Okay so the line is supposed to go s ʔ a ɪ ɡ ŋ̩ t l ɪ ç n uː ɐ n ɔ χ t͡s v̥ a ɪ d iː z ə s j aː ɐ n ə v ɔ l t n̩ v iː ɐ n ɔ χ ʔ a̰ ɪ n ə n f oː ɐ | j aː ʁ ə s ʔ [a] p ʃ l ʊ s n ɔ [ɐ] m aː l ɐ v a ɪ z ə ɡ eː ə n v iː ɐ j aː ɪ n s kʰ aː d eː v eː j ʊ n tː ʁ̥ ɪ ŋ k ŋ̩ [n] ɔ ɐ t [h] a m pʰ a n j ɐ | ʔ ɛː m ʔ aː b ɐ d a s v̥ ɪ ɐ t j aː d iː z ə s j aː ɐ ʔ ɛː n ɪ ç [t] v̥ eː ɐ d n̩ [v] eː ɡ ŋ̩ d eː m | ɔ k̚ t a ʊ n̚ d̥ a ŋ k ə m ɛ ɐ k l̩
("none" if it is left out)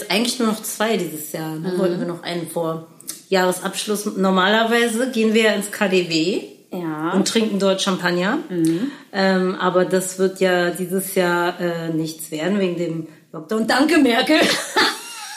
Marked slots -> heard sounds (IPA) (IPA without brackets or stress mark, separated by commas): a, ɐ, d, ʃ, t͡s, v